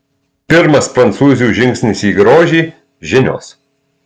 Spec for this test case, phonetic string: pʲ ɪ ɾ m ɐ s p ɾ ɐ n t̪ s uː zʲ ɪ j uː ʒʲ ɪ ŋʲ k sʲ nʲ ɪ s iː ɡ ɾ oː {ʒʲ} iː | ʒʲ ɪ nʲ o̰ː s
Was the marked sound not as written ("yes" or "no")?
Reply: no